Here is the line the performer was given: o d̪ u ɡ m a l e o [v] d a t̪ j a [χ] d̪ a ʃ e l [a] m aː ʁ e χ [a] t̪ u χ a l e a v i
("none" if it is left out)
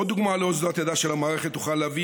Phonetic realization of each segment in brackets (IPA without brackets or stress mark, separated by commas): z, none, a, e